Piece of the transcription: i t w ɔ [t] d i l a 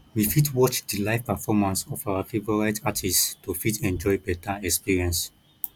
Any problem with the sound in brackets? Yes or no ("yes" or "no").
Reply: yes